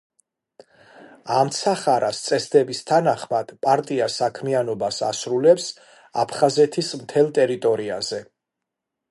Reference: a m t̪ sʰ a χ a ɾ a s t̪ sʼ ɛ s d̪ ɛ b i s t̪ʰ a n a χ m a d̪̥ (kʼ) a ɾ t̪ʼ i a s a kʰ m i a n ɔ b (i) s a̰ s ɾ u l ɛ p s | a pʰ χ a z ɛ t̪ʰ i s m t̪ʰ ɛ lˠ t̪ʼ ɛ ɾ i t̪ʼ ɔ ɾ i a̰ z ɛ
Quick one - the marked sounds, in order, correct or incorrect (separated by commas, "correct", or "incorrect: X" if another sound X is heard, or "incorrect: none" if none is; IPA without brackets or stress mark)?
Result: incorrect: pʼ, incorrect: a